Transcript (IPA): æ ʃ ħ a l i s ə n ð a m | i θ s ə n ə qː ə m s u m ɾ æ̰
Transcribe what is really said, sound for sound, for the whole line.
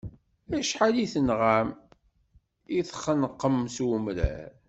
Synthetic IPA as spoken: æ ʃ ħ a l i θ ə n ʁ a m | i θ χ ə n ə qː ə m s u m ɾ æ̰